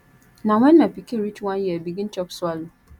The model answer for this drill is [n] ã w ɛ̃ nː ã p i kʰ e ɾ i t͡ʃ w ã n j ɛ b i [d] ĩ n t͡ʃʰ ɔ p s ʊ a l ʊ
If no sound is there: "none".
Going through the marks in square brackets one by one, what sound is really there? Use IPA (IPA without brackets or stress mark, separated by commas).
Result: n, ɡ